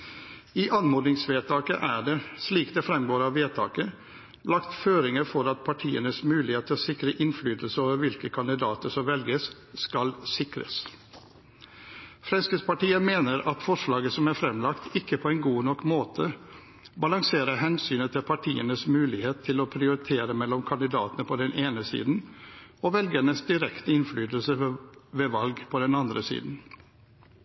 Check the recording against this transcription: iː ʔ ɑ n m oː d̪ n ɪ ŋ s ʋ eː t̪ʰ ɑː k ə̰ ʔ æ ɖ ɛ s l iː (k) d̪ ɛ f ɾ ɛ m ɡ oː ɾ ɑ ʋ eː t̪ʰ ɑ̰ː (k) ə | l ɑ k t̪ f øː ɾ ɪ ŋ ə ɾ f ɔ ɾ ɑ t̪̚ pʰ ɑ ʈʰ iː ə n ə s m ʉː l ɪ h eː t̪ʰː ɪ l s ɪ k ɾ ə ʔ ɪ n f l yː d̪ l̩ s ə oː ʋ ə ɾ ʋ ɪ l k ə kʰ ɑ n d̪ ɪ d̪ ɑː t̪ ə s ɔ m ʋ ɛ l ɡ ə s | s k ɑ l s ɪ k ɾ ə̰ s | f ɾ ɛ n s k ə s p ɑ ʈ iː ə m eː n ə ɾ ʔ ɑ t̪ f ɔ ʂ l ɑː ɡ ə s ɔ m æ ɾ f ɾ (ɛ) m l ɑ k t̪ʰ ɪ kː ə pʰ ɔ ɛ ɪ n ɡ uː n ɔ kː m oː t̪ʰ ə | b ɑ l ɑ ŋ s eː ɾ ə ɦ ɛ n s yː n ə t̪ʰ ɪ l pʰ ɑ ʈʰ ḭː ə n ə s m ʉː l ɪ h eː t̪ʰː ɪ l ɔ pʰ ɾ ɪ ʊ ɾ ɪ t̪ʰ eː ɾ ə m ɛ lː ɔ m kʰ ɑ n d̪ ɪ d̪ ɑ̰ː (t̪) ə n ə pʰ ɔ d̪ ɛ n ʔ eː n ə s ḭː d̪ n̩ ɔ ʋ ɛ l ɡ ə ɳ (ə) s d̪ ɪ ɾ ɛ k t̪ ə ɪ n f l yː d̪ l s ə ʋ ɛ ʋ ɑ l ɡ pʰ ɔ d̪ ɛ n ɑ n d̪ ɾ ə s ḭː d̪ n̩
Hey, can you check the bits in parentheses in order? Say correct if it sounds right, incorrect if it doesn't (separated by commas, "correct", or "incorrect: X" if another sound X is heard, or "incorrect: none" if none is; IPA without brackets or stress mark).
correct, correct, correct, correct, correct